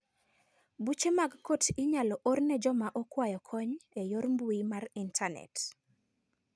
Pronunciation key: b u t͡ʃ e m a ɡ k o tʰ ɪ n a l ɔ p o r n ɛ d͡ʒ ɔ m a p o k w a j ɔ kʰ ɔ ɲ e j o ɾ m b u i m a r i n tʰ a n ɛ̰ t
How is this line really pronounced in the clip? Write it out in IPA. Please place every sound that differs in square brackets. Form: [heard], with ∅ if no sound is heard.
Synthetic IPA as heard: b u t͡ʃ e m a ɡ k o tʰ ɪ [ɲ] a l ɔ [ʔ] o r n ɛ d͡ʒ ɔ m a [ʔ] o k w a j ɔ kʰ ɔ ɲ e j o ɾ m b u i m a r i n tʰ a n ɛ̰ t